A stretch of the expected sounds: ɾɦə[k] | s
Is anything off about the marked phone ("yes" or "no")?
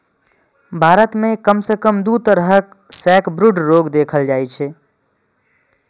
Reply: no